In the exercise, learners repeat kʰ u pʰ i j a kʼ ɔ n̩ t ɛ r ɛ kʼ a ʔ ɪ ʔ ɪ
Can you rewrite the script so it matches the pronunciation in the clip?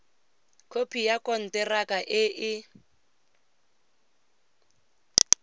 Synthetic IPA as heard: kʰ o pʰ i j a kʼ ɔ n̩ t ɛ r a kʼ a ʔ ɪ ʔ ɪ